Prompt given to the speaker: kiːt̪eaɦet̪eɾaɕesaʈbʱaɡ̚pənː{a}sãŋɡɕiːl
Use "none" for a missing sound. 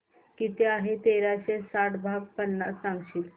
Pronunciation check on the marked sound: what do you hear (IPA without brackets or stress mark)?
a